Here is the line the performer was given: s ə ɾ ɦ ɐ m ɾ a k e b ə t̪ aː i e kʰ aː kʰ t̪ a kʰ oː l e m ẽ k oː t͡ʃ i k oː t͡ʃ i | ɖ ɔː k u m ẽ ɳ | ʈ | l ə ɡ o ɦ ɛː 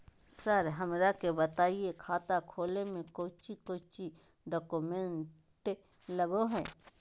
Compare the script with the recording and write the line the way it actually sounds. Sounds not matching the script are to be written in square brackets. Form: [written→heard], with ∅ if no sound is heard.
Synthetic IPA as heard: s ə ɾ ɦ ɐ m ɾ a k e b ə t̪ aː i e kʰ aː [kʰ→∅] t̪ a kʰ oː l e m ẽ k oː t͡ʃ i k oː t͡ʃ i | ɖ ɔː k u m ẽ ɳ | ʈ | l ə ɡ o ɦ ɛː